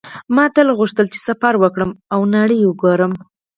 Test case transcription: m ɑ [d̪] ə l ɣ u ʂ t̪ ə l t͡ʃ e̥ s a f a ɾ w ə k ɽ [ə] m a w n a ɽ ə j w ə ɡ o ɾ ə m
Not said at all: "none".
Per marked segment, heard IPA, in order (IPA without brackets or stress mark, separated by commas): t̪, ə